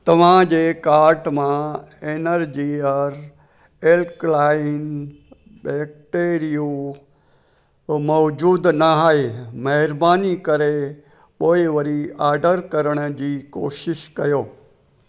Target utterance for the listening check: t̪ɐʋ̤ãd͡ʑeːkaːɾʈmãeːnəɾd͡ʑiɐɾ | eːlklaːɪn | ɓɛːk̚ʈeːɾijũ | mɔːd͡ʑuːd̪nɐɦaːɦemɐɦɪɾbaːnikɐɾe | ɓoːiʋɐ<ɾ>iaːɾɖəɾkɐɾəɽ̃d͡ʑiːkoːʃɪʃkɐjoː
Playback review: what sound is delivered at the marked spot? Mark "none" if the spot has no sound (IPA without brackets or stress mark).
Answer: ɾ